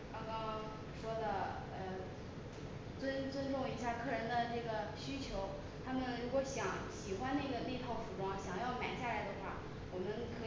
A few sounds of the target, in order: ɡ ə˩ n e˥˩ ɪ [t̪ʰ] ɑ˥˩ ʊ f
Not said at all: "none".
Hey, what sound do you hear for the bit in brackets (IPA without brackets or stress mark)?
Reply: t̪ʰ